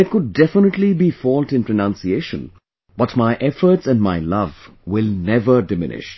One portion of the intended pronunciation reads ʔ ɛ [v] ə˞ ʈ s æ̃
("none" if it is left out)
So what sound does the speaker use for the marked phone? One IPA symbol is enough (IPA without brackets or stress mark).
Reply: f